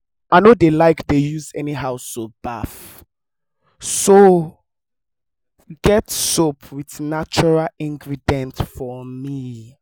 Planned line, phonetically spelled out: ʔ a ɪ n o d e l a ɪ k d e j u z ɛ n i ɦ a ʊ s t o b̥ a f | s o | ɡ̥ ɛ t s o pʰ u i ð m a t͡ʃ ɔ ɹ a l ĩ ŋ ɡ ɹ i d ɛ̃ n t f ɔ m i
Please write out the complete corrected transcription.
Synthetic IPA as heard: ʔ a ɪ n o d e l a ɪ k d e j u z ɛ n i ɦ a ʊ s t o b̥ a f | s o | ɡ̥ ɛ t s o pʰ w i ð n a t͡ʃ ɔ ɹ a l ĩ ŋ ɡ ɹ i d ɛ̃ n t f ɔ m i